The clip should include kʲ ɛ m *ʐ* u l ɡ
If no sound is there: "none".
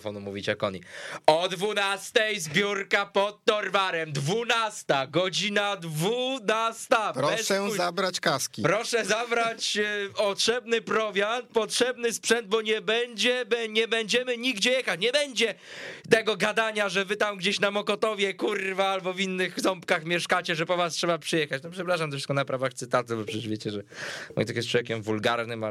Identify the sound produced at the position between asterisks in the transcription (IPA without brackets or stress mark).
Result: v